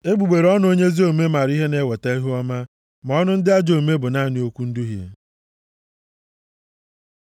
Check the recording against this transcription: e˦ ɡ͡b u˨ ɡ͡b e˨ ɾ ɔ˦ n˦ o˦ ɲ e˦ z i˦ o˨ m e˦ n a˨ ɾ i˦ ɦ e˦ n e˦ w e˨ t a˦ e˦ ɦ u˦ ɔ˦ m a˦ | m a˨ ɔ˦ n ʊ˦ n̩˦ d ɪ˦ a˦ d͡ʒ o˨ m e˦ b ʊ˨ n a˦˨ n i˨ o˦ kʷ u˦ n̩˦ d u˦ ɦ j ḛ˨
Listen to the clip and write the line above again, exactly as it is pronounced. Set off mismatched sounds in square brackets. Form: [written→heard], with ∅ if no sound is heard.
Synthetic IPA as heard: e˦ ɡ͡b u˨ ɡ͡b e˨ ɾ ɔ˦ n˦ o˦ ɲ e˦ z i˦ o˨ m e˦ [n→m] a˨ ɾ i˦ ɦ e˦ n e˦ w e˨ t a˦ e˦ ɦ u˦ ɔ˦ m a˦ | m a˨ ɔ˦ n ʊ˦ n̩˦ d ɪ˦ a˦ d͡ʒ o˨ m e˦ b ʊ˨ n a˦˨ n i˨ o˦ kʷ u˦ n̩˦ d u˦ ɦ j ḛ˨